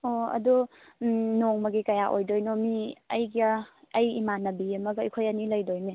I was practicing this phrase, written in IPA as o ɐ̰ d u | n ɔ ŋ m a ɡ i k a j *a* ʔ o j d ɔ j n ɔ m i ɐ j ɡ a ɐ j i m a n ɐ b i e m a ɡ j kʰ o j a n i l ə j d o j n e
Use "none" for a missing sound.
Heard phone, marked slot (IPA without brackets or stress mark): a